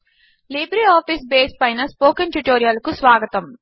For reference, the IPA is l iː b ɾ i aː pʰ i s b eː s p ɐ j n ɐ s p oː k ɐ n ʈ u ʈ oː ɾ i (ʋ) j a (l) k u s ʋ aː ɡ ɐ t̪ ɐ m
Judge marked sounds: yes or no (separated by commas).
no, yes